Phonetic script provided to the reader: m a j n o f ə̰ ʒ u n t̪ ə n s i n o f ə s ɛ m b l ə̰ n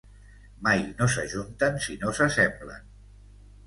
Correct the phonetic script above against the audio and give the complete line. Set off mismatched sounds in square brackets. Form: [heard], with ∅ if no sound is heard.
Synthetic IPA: m a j n o [s] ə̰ ʒ u n t̪ ə n s i n o [s] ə s ɛ m b l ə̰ n